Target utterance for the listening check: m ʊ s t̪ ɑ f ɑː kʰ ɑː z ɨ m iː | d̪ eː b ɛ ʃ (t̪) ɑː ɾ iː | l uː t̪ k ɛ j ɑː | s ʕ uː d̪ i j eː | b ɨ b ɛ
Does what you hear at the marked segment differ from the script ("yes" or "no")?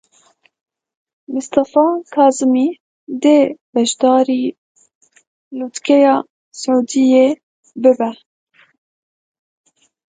yes